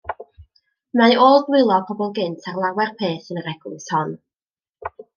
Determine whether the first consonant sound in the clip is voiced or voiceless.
voiced